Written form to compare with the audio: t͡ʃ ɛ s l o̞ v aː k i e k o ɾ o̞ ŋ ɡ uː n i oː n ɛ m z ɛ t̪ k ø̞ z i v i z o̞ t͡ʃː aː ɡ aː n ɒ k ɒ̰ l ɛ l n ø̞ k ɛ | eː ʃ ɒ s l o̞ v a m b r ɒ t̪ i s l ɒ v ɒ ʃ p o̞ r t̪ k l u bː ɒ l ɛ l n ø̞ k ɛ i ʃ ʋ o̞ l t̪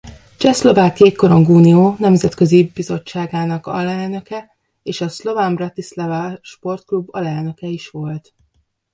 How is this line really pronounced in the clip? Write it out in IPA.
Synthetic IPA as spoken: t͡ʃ ɛ s l o̞ v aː k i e k o ɾ o̞ ŋ ɡ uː n i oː n ɛ m z ɛ t̪ k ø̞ z i b i z o̞ t͡ʃː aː ɡ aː n ɒ k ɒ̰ l ɛ l n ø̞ k ɛ | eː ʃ ɒ s l o̞ v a m b r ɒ t̪ i s l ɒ v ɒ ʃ p o̞ r t̪ k l u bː ɒ l ɛ l n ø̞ k ɛ i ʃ ʋ o̞ l t̪